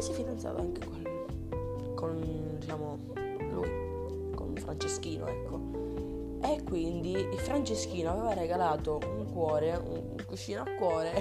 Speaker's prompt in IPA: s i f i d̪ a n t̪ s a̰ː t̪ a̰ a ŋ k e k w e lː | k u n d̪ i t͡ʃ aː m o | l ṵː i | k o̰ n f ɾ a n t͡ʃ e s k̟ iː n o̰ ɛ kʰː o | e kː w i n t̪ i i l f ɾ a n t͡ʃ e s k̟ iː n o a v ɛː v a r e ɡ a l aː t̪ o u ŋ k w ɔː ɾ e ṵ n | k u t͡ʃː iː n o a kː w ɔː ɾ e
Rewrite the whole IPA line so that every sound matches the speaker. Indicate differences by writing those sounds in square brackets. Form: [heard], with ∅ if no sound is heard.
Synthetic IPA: s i f i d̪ a n t̪ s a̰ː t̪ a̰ a ŋ k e k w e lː | k [o] n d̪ i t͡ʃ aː m o | l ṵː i | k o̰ n f ɾ a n t͡ʃ e s k̟ iː n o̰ ɛ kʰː o | e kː w i n [d̪] i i l f ɾ a n t͡ʃ e s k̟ iː n o a v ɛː v a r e ɡ a l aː t̪ o u ŋ k w ɔː ɾ e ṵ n | k u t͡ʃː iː n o a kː w ɔː ɾ e